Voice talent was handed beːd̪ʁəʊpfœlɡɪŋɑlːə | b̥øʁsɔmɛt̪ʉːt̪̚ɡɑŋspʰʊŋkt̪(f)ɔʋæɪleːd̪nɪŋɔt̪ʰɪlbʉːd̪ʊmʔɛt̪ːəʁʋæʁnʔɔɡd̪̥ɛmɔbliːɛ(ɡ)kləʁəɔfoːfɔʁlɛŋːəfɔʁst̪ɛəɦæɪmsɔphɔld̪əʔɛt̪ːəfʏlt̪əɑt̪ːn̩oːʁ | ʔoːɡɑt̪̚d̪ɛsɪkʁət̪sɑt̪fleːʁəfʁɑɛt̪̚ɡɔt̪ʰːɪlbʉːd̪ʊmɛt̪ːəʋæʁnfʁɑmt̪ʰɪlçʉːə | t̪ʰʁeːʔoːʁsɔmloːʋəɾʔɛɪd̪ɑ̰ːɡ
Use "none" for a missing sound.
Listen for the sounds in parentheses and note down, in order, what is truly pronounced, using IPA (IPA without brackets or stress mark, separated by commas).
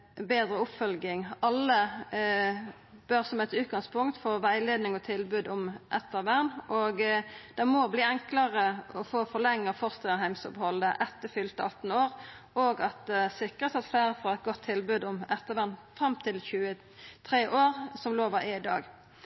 f, ŋ